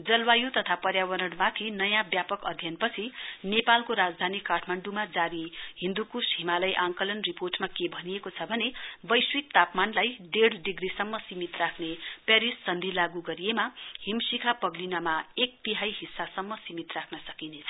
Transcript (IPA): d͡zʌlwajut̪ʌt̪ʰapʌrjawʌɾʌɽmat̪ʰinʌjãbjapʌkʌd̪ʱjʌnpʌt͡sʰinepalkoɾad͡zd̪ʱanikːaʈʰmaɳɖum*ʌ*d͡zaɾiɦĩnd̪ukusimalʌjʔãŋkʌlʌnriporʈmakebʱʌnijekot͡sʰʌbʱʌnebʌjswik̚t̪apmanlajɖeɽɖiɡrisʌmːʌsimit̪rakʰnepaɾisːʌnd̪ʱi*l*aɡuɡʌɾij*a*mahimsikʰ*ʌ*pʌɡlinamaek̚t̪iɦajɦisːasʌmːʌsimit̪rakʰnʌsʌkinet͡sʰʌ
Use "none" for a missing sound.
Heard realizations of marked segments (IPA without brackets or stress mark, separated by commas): a, l, e, a